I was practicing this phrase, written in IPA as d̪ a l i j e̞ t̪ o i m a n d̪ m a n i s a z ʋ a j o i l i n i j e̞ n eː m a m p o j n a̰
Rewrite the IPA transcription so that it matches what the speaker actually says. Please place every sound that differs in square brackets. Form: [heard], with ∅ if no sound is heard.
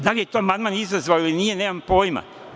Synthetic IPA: d̪ a l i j e̞ t̪ o [a] m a n d̪ m a n i [z] a z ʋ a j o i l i n i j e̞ n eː m a m p o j [m] a̰